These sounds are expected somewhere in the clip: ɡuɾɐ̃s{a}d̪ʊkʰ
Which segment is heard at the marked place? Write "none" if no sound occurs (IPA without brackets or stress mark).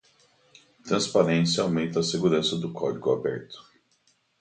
ɐ